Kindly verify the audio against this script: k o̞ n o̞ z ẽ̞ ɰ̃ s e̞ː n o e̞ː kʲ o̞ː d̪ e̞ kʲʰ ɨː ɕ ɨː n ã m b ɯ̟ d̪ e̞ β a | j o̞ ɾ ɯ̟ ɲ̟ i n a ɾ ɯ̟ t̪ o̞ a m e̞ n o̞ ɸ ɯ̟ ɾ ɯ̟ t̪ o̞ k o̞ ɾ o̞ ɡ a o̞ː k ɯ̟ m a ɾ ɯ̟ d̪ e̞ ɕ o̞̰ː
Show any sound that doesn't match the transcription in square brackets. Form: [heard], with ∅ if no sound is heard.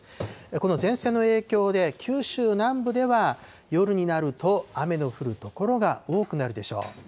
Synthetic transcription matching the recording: k o̞ n o̞ z ẽ̞ ɰ̃ s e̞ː n o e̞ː kʲ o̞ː d̪ e̞ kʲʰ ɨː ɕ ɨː n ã m b ɯ̟ d̪ e̞ β a | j o̞ ɾ ɯ̟ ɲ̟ i n a ɾ ɯ̟ t̪ o̞ a m e̞ n o̞ ɸ ɯ̟ ɾ ɯ̟ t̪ o̞ k o̞ ɾ o̞ ɡ a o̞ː k ɯ̟ [n] a ɾ ɯ̟ d̪ e̞ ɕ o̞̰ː

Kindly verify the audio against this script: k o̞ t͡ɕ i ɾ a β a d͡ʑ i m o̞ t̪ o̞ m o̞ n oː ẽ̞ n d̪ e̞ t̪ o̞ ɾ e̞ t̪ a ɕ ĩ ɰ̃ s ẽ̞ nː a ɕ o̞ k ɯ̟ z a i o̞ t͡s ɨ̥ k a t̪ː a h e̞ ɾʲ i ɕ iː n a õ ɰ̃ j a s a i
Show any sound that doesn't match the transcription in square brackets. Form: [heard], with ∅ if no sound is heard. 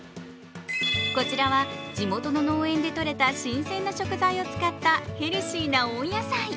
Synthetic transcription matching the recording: k o̞ t͡ɕ i ɾ a β a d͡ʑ i m o̞ t̪ o̞ [n] o̞ n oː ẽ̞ n d̪ e̞ t̪ o̞ ɾ e̞ t̪ a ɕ ĩ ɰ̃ s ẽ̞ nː a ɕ o̞ k ɯ̟ z a i o̞ t͡s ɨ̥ k a t̪ː a h e̞ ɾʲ i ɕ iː n a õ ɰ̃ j a s a i

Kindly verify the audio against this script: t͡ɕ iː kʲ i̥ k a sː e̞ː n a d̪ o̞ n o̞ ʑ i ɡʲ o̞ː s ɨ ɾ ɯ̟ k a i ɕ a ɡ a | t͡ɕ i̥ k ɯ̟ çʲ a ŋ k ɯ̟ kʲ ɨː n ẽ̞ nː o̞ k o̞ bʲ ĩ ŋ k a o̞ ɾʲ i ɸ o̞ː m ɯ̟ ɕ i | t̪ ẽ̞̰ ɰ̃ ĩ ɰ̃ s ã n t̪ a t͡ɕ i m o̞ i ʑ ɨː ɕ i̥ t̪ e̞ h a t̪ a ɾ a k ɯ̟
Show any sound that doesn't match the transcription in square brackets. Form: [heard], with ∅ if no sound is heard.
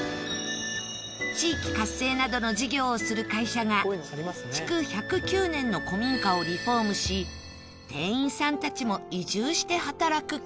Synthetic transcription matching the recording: t͡ɕ iː kʲ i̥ k a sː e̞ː n a d̪ o̞ n o̞ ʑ i ɡʲ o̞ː s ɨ ɾ ɯ̟ k a i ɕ a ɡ a | t͡ɕ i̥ k ɯ̟ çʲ a [∅] k ɯ̟ kʲ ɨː n ẽ̞ nː o̞ k o̞ [mʲ] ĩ ŋ k a o̞ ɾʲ i ɸ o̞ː m ɯ̟ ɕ i | t̪ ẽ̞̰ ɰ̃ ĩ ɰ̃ s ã n t̪ a t͡ɕ i m o̞ i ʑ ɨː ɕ i̥ t̪ e̞ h a t̪ a ɾ a k ɯ̟

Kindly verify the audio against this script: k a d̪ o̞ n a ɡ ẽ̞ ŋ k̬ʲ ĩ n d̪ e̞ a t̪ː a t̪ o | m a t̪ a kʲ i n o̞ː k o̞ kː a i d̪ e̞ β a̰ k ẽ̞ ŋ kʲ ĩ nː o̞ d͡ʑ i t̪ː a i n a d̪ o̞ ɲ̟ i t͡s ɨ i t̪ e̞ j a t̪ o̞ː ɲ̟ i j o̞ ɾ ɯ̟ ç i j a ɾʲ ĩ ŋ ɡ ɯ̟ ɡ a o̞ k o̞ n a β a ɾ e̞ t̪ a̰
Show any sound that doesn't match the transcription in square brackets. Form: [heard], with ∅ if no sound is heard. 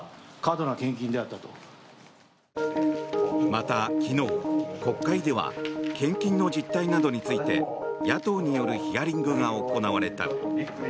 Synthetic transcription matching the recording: k a d̪ o̞ n a [k] ẽ̞ ŋ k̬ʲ ĩ n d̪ e̞ a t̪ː a t̪ o | m a t̪ a kʲ i n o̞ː k o̞ kː a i d̪ e̞ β a̰ k ẽ̞ ŋ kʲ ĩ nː o̞ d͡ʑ i t̪ː a i n a d̪ o̞ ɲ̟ i t͡s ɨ i t̪ e̞ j a t̪ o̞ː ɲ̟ i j o̞ ɾ ɯ̟ ç i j a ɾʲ ĩ ŋ ɡ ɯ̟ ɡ a o̞ k o̞ n a β a ɾ e̞ t̪ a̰

